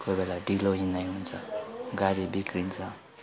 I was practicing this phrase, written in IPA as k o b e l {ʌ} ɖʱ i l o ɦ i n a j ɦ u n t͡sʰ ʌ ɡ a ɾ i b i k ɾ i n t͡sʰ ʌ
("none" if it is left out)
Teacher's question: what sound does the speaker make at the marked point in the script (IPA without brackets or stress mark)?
a